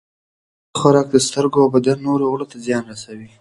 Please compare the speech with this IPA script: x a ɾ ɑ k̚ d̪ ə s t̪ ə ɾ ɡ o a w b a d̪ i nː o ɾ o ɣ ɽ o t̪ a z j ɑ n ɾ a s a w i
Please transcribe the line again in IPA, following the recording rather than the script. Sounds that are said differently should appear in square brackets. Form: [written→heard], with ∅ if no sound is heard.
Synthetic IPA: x a ɾ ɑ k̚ d̪ ə s t̪ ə ɾ ɡ o a w b a d̪ [i→a] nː o ɾ o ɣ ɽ o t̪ a z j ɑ n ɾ a s a w i